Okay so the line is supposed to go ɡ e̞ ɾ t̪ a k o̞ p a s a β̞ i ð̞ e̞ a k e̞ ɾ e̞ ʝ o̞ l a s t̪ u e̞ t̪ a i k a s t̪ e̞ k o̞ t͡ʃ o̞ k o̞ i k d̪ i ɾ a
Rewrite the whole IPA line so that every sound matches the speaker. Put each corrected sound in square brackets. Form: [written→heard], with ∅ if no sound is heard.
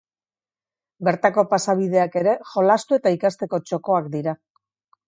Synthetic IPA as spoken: [ɡ→b] e̞ ɾ t̪ a k o̞ p a s a β̞ i ð̞ e̞ a k e̞ ɾ e̞ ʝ o̞ l a s t̪ u e̞ t̪ a i k a s t̪ e̞ k o̞ t͡ʃ o̞ k o̞ [i→a] k d̪ i ɾ a